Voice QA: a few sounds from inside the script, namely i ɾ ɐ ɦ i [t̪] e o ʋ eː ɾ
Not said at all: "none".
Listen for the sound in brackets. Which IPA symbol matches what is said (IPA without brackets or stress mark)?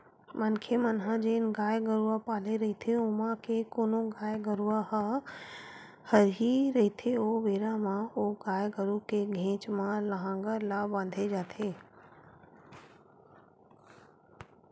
t̪ʰ